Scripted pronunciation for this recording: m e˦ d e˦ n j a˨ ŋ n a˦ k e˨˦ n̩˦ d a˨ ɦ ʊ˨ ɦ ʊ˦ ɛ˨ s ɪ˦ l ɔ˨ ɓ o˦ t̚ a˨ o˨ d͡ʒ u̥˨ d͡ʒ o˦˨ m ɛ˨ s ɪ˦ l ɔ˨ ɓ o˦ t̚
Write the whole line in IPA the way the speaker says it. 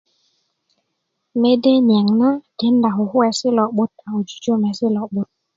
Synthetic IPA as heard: m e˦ d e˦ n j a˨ ŋ n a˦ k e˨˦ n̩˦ d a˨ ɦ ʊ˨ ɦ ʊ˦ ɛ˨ s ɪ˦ l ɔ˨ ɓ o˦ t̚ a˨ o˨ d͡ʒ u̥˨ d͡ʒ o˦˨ m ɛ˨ s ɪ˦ l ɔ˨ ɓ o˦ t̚